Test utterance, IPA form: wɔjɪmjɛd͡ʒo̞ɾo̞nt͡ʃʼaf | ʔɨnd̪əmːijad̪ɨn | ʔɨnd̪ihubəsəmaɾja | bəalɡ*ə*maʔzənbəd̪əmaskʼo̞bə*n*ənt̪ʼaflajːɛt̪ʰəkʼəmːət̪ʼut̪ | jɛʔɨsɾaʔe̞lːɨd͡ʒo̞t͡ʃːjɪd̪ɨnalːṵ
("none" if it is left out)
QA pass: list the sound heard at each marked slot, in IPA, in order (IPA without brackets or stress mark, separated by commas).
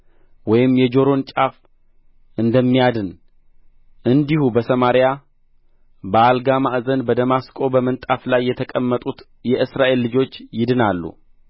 a, m